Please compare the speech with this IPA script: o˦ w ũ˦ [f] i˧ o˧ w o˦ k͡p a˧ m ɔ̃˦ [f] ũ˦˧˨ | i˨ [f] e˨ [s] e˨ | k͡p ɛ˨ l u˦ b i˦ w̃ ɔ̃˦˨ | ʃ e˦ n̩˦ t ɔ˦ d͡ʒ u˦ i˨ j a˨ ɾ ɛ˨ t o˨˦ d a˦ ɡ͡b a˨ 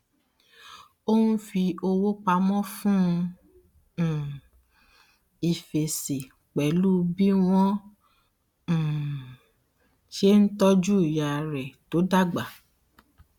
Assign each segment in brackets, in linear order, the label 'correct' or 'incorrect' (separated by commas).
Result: correct, correct, correct, correct